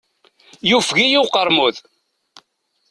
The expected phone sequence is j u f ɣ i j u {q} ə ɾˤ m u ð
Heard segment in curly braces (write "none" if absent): q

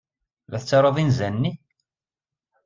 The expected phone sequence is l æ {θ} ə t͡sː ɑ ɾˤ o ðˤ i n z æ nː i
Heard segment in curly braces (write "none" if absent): θ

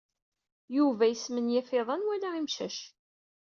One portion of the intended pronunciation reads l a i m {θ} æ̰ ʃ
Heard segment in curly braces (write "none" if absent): ʃ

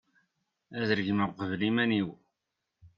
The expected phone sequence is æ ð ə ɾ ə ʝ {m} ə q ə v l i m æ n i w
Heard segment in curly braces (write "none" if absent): m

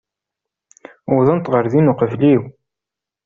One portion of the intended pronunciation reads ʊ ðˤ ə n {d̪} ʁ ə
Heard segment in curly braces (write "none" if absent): t̪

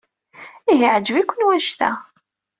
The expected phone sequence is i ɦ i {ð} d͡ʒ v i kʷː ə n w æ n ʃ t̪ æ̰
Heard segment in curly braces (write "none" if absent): ʕ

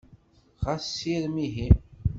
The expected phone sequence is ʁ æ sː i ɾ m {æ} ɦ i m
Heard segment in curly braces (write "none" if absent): i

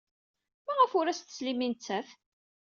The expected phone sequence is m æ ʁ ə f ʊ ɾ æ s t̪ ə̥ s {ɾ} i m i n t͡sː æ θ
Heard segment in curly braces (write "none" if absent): l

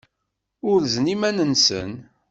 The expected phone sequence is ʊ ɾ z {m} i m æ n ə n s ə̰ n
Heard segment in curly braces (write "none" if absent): n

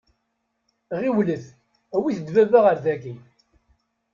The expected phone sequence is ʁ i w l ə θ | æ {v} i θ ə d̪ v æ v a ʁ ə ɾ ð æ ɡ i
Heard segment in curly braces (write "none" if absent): w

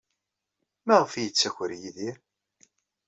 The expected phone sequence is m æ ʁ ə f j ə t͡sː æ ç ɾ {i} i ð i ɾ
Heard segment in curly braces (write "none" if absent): j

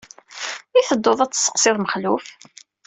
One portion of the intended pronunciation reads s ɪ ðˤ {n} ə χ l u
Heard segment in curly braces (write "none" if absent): m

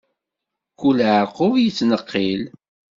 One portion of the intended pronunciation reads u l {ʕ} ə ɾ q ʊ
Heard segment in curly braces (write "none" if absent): ʕ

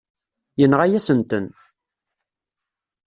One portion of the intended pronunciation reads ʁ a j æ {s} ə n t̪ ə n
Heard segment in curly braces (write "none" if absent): s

